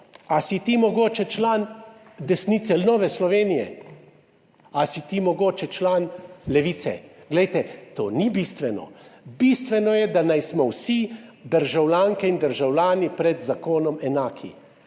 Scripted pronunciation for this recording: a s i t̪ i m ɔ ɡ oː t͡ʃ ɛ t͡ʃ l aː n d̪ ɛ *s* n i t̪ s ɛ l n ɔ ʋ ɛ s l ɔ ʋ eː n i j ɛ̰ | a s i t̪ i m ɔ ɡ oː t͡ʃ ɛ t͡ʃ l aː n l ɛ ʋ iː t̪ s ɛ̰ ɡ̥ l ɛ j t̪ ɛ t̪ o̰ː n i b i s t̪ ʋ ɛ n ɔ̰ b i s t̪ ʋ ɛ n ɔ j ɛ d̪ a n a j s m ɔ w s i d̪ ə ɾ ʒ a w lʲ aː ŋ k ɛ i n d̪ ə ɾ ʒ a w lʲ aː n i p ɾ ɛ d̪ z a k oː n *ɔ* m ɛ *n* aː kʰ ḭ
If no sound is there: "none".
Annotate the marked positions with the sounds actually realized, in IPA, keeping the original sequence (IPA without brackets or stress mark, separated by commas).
s, ɔ, n